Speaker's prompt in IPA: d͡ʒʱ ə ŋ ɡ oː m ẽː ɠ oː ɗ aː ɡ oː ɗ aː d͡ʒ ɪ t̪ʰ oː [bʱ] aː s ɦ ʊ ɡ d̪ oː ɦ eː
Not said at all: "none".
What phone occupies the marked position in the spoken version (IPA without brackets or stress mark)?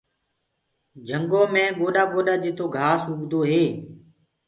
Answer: ɡʱ